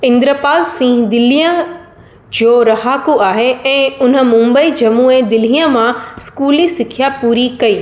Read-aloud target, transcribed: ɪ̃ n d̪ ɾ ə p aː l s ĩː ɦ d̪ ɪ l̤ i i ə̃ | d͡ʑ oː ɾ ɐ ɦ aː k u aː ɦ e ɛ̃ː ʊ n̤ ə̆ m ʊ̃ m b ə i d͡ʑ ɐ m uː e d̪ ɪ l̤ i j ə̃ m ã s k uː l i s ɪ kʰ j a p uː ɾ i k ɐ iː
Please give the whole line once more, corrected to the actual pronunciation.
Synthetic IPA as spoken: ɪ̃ n d̪ ɾ ə p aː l s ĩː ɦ d̪ ɪ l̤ i j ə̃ | d͡ʑ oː ɾ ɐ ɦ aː k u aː ɦ e ɛ̃ː ʊ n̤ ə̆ m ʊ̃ m b ə i d͡ʑ ɐ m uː e d̪ ɪ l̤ i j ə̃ m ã s k uː l i s ɪ kʰ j a p uː ɾ i k ɐ iː